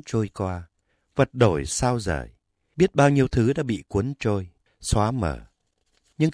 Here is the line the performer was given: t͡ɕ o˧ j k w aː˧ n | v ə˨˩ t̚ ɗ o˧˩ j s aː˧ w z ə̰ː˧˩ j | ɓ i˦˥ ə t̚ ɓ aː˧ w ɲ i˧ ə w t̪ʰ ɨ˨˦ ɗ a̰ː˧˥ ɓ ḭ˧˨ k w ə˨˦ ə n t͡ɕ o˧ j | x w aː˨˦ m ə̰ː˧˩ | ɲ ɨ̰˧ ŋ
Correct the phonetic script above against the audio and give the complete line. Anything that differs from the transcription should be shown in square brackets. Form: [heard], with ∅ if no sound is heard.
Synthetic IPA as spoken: t͡ɕ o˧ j k w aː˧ [∅] | v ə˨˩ t̚ ɗ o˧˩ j s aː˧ w z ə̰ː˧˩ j | ɓ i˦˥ ə t̚ ɓ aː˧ w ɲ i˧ ə w t̪ʰ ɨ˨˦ ɗ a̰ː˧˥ ɓ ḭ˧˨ k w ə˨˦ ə n t͡ɕ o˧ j | [s] w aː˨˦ m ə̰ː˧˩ | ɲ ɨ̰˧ ŋ